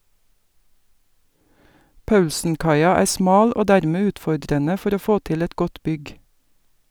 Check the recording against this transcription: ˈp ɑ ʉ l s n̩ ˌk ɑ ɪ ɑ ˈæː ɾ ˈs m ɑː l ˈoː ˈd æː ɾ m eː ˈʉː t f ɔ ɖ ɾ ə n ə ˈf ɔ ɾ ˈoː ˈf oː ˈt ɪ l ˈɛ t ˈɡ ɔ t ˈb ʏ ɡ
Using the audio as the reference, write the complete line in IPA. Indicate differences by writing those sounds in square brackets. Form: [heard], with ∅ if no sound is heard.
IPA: ˈp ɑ ʉ l s n̩ ˌk ɑ ɪ ɑ ˈæː ɾ ˈs m ɑː l ˈoː ˈd æː ɾ m eː ˈʉː t f ɔ ɖ ɾ ə n ə ˈf ɔ ɾ ˈoː ˈf oː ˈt ɪ l ˈɛ t ˈɡ ɔ t ˈb ʏ ɡ